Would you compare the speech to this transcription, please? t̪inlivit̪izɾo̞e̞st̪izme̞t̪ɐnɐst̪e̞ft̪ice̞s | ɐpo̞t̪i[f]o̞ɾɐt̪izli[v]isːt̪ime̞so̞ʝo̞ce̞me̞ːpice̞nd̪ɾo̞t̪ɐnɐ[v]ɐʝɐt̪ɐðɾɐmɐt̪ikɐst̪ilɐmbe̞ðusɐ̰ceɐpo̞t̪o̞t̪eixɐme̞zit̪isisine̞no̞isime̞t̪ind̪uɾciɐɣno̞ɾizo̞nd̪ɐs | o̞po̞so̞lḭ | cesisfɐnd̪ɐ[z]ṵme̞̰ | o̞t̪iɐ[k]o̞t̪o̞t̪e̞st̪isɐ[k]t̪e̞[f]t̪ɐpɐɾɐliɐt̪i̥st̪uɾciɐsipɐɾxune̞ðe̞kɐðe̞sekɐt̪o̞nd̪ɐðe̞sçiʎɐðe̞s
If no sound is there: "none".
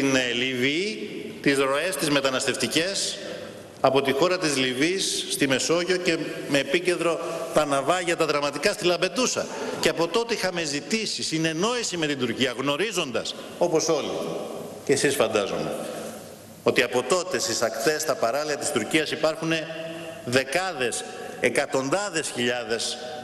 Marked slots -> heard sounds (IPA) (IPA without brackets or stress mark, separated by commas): x, v, v, z, p, k, s